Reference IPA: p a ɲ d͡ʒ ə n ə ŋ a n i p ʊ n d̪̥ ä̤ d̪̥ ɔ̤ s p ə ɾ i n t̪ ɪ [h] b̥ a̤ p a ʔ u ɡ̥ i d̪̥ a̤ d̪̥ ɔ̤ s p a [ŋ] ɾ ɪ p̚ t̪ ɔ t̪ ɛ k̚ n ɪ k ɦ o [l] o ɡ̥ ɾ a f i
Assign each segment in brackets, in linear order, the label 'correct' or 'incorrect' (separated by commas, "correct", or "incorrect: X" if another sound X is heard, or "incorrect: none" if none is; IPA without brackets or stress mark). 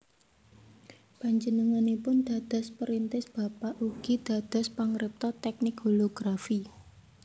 incorrect: s, correct, correct